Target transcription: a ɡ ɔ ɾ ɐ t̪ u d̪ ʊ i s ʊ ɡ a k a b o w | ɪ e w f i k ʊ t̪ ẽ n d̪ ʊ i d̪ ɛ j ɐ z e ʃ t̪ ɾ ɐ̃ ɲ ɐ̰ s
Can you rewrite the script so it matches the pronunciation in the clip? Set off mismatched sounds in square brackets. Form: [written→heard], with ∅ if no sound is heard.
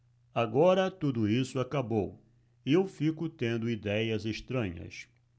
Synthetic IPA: a ɡ ɔ ɾ ɐ t̪ u d̪ ʊ i s ʊ [ɡ→∅] a k a b o w | ɪ e w f i k ʊ t̪ ẽ n d̪ ʊ i d̪ ɛ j ɐ z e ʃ t̪ ɾ ɐ̃ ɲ ɐ̰ s